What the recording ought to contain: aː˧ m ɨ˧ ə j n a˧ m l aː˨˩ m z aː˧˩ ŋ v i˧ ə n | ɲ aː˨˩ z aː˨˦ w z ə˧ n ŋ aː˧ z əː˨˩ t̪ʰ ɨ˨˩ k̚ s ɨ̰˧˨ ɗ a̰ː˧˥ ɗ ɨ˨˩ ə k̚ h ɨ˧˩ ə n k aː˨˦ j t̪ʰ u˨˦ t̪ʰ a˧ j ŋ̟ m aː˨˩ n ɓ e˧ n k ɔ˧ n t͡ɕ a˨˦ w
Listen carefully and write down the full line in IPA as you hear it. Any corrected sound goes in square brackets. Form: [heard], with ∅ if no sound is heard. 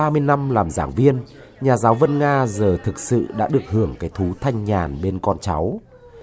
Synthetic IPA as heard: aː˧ m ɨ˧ ə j n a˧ m l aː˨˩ m z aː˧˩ ŋ v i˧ ə n | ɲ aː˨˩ z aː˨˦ w [v] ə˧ n ŋ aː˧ z əː˨˩ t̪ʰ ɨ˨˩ k̚ s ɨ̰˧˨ ɗ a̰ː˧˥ ɗ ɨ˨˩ ə k̚ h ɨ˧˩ ə [ŋ] k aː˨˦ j t̪ʰ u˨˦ t̪ʰ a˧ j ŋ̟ [ɲ] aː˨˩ n ɓ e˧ n k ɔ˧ n t͡ɕ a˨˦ w